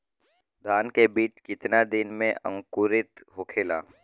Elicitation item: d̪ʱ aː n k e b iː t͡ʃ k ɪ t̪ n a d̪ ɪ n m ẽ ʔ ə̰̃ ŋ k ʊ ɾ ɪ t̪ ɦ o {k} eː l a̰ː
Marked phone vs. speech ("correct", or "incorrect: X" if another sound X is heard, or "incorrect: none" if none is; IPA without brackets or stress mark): incorrect: kʰ